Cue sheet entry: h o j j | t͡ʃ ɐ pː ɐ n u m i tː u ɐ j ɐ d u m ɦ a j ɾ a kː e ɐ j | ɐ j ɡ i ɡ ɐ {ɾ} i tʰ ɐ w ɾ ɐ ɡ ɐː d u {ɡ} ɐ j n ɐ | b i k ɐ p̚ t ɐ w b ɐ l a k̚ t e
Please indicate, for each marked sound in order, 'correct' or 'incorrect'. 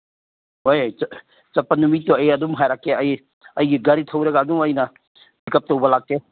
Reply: correct, incorrect: ŋ

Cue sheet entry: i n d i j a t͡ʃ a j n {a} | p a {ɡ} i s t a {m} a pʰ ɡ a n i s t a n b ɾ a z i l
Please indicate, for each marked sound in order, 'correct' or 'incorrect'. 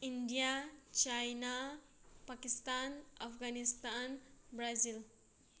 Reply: correct, incorrect: k, incorrect: n

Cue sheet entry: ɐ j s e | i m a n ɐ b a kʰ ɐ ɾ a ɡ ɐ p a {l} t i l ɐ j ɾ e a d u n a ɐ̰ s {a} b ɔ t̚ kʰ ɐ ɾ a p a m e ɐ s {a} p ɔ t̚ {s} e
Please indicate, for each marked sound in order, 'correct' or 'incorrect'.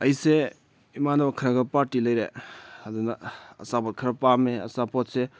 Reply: incorrect: ɾ, correct, correct, correct

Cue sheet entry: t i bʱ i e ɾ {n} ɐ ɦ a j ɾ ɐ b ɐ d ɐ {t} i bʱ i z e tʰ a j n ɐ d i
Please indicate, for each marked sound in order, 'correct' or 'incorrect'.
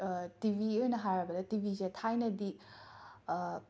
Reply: correct, correct

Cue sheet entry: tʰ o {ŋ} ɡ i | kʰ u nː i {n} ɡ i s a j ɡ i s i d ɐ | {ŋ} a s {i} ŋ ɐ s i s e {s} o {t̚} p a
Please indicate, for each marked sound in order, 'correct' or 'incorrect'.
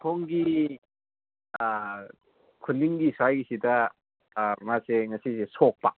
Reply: correct, incorrect: ŋ, incorrect: m, incorrect: e, correct, incorrect: k̚

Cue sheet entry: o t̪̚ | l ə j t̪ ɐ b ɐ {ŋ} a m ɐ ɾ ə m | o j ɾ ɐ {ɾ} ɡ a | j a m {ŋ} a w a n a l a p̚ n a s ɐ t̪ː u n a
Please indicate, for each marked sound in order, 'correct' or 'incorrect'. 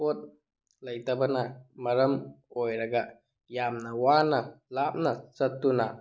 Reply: incorrect: n, incorrect: none, incorrect: n

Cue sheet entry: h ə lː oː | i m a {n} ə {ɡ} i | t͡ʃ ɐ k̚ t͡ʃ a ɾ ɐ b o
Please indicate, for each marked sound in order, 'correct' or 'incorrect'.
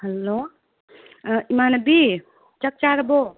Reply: correct, incorrect: b

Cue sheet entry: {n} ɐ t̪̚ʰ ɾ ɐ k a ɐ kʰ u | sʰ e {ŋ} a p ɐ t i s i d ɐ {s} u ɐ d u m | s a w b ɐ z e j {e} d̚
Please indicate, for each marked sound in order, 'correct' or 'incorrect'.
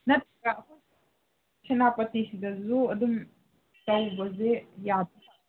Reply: correct, incorrect: n, incorrect: z, incorrect: a

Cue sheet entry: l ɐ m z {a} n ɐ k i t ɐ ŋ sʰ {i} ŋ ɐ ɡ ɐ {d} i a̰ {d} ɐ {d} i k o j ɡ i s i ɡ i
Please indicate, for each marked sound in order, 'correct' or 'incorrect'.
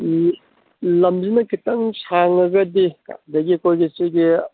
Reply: incorrect: i, incorrect: a, correct, correct, incorrect: ɡ

